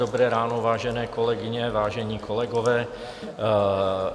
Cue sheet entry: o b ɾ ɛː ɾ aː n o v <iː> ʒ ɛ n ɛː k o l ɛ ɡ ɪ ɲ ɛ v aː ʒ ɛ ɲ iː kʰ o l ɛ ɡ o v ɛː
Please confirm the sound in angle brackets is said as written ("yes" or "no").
no